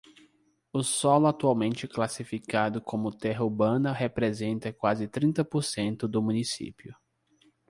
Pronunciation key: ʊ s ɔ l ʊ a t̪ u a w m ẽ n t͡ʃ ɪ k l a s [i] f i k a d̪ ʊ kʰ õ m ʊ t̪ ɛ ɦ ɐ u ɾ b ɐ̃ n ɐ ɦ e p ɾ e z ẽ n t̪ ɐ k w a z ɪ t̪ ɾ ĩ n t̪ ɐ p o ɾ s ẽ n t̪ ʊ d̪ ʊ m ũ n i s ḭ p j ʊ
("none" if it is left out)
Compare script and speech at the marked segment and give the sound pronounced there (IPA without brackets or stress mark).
i